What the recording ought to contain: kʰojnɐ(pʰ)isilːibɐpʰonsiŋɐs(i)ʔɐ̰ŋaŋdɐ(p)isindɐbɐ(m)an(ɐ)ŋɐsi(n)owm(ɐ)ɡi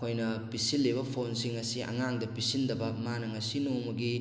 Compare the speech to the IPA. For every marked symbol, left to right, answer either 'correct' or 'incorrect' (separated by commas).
incorrect, correct, correct, correct, correct, correct, correct